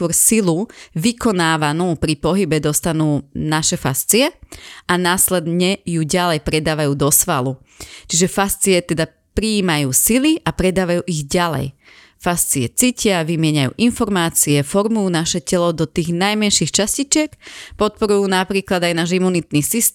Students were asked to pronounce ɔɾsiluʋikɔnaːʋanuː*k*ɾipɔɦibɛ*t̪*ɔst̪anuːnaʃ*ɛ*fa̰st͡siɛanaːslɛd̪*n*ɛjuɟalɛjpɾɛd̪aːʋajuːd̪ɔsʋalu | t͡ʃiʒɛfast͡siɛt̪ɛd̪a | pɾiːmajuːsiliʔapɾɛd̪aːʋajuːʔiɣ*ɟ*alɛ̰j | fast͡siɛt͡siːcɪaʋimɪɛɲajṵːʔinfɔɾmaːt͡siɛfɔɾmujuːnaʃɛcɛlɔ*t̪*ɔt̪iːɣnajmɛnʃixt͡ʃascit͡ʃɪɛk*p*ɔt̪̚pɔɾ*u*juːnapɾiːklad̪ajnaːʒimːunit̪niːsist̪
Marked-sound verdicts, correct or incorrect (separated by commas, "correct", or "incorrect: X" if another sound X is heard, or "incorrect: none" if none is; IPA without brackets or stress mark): incorrect: p, incorrect: d̪, correct, incorrect: ɲ, correct, incorrect: d̪, correct, correct